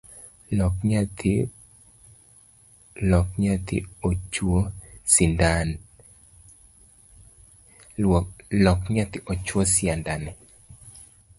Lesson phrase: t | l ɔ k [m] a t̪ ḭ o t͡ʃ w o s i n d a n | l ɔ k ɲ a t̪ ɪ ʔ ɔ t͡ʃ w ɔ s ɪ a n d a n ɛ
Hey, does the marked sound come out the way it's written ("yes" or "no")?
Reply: no